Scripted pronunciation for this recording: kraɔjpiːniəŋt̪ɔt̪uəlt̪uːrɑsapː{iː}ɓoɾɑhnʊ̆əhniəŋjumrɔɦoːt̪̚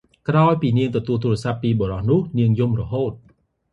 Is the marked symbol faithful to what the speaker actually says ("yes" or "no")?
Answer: yes